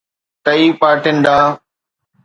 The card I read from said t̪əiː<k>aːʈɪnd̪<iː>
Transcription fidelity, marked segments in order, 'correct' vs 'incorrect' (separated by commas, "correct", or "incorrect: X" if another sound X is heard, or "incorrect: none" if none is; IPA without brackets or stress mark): incorrect: p, incorrect: aː